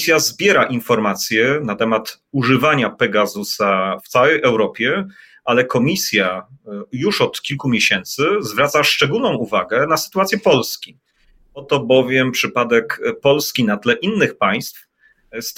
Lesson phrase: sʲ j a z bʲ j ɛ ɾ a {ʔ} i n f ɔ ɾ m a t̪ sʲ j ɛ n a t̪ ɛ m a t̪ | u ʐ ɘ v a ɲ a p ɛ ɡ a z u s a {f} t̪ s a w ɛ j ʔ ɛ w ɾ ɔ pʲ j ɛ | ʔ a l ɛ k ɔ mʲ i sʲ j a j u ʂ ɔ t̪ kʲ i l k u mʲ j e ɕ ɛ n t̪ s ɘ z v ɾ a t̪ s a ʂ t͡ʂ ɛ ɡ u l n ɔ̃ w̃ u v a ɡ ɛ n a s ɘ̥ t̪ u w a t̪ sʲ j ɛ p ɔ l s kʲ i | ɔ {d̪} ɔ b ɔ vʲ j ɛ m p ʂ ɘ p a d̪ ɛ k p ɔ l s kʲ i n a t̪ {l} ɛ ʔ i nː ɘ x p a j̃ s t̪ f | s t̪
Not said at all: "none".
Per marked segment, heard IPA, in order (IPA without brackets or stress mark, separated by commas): ʔ, f, t̪, l